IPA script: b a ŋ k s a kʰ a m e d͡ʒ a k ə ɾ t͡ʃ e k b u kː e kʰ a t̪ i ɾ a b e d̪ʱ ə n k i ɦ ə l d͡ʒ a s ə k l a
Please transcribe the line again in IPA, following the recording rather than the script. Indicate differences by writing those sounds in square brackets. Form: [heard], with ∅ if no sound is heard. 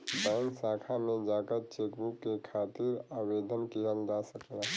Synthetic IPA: b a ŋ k s a kʰ a m e d͡ʒ a k ə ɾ t͡ʃ e k b u kː e kʰ a t̪ i ɾ a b e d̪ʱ ə n k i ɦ ə l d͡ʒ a s ə k l a